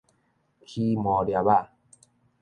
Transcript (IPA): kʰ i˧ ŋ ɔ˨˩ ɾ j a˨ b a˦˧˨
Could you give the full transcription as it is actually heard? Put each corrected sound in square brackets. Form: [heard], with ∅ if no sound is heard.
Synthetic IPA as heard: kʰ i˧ [m] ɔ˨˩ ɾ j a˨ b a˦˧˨